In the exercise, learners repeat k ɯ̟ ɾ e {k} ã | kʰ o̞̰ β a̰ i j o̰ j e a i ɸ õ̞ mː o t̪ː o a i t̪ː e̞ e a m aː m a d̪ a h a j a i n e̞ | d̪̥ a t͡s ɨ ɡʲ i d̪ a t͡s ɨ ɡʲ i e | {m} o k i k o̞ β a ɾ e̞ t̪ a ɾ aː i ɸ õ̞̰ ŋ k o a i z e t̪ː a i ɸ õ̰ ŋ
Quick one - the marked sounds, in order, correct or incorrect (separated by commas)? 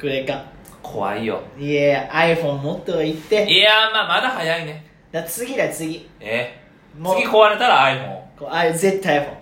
correct, correct